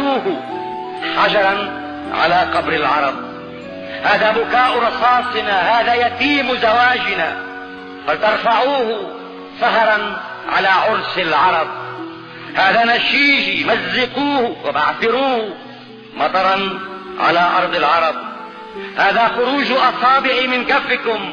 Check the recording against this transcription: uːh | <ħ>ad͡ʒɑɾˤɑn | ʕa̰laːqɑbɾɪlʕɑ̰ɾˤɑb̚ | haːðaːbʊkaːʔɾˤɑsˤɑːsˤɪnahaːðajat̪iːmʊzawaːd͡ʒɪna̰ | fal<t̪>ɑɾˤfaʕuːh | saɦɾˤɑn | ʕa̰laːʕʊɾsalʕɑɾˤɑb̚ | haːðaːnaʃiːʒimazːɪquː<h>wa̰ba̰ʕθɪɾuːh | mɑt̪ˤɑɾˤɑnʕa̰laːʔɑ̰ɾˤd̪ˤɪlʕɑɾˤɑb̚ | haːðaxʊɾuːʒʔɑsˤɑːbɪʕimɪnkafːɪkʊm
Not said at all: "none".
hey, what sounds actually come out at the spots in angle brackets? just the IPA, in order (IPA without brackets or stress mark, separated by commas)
ħ, t̪, h